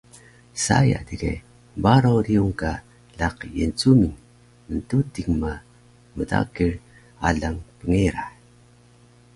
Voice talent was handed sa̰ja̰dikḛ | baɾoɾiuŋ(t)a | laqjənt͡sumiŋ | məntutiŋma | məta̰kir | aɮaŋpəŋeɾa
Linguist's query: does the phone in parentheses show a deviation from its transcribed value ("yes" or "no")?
yes